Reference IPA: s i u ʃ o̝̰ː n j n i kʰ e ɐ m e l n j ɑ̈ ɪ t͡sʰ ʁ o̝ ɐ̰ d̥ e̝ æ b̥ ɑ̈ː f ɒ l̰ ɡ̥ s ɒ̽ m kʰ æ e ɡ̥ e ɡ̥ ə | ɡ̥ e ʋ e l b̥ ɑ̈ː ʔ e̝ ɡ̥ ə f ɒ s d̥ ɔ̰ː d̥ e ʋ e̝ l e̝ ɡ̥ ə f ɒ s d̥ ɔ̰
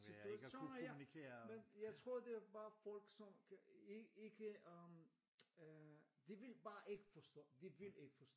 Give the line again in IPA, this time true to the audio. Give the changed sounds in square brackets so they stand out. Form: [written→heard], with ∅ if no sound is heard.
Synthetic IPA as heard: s i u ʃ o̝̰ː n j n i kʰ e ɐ m e [l→∅] n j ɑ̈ ɪ t͡sʰ ʁ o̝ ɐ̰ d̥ e̝ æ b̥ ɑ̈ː f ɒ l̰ ɡ̥ s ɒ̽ m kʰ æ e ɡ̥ e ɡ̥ ə | [ɡ̥→d̥] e ʋ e l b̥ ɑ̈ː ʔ e̝ ɡ̥ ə f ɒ s d̥ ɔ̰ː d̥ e ʋ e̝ l e̝ ɡ̥ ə f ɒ s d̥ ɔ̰